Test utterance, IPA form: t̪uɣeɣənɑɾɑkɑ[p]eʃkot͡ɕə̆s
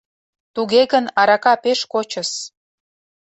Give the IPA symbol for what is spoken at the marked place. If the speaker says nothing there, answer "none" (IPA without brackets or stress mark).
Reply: p